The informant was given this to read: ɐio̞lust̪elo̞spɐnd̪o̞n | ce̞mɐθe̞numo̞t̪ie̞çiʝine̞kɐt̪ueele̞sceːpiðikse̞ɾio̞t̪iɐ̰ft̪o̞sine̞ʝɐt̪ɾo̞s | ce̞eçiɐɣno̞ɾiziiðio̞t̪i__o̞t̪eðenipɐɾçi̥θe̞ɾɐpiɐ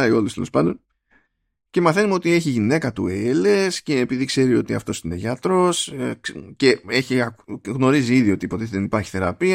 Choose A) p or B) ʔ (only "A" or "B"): A